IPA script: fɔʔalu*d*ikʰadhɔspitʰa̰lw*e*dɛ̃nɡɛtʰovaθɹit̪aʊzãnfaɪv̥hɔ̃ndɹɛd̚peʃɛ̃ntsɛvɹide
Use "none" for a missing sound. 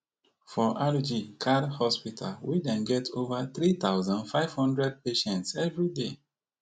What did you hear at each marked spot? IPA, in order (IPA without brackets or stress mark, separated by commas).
d͡ʒ, i